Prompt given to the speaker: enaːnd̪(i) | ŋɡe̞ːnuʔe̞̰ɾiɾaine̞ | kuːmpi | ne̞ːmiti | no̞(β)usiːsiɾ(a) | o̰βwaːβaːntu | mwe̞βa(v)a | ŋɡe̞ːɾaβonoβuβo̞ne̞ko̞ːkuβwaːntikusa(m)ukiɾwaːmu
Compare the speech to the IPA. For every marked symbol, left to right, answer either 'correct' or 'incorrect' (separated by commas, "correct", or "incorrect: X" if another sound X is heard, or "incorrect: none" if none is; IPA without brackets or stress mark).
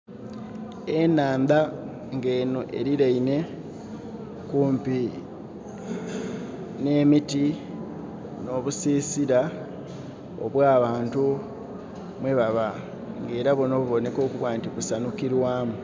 incorrect: a, correct, correct, incorrect: β, incorrect: n